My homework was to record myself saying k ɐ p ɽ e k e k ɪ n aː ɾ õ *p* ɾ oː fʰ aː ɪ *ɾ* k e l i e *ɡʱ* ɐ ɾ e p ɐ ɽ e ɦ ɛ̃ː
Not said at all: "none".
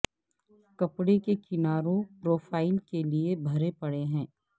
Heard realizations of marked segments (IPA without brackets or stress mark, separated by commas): p, l, bʱ